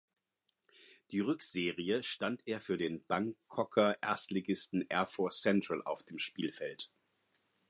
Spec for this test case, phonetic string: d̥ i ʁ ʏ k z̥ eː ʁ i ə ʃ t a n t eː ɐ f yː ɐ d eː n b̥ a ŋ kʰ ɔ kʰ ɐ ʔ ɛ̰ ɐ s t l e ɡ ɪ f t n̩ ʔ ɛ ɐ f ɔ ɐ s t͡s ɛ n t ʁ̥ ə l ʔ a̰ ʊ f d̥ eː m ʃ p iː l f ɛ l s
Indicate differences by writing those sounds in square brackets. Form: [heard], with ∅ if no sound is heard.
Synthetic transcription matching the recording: d̥ [iː] ʁ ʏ k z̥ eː ʁ i ə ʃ t a n t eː ɐ f yː ɐ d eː n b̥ a ŋ kʰ ɔ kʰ ɐ ʔ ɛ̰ ɐ s t l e ɡ ɪ [s] t n̩ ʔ ɛ ɐ f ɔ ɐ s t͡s ɛ n t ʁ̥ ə l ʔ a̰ ʊ f d̥ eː m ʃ p iː l f ɛ l [t]